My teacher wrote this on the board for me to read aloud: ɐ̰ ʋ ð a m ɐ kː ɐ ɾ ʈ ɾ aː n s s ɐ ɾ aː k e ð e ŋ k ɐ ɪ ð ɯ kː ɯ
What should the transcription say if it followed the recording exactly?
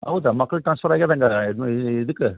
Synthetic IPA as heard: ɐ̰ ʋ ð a m ɐ kː ɐ ɭ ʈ ɾ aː n s f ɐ ɾ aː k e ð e ŋ ɡ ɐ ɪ ð ɯ kː ɯ